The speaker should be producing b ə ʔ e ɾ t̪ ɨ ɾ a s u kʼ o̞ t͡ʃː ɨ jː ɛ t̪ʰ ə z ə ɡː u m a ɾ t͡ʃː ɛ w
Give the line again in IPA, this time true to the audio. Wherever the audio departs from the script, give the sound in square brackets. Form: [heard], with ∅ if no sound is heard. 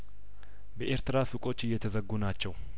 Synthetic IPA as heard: b ə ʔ e ɾ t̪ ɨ ɾ a s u kʼ o̞ t͡ʃː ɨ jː ɛ t̪ʰ ə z ə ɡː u [n] a [∅] t͡ʃː ɛ w